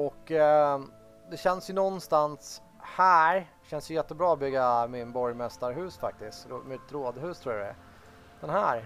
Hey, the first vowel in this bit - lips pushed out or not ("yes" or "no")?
yes